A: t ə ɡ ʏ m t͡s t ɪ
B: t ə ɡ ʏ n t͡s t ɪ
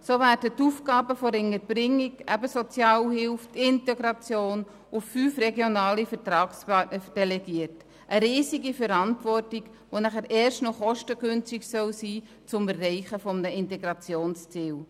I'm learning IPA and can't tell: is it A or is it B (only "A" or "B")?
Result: B